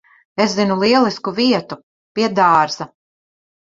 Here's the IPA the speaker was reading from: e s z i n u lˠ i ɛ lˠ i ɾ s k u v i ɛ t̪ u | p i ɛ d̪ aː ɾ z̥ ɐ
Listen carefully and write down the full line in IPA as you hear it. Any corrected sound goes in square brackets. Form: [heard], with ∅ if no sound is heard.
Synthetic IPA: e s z i n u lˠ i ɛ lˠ i [∅] s k u v i ɛ t̪ u | p i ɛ d̪ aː ɾ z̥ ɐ